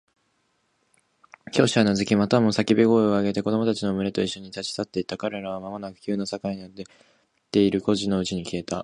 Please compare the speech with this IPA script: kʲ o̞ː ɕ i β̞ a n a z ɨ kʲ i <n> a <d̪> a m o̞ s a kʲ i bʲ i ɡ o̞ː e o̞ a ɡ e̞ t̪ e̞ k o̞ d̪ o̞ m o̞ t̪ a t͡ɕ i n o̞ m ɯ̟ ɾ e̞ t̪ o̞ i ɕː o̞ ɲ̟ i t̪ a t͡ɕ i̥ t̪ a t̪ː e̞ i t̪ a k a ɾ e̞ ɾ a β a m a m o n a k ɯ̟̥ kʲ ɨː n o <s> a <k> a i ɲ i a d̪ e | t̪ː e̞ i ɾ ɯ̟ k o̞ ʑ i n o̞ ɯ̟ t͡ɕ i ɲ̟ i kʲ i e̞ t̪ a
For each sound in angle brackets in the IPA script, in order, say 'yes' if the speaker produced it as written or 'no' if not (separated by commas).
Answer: no, no, yes, yes